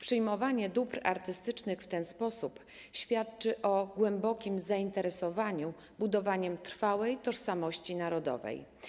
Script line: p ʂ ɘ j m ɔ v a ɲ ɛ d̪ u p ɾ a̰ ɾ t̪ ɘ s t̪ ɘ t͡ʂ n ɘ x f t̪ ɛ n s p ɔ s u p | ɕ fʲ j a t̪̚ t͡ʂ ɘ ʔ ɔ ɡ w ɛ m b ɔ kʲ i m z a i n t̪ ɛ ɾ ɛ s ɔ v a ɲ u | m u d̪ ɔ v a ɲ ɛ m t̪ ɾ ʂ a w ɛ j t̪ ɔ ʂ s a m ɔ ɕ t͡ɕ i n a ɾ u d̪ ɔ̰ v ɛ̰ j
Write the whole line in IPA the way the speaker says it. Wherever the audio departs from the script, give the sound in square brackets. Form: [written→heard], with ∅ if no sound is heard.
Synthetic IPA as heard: p ʂ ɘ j m ɔ v a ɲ ɛ d̪ u p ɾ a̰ ɾ t̪ ɘ s t̪ ɘ t͡ʂ n ɘ x f t̪ ɛ n s p ɔ s u p | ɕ fʲ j a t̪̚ t͡ʂ ɘ ʔ ɔ ɡ w ɛ m b ɔ kʲ i m z a i n t̪ ɛ ɾ ɛ s ɔ v a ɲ u | [m→b] u d̪ ɔ v a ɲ ɛ m t̪ ɾ [ʂ→f] a w ɛ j t̪ ɔ ʂ s a m ɔ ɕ t͡ɕ i n a ɾ [u→ɔ] d̪ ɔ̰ v ɛ̰ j